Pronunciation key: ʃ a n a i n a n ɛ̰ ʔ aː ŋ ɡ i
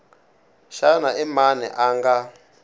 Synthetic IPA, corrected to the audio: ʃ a n a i m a n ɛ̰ ʔ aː ŋ ɡ a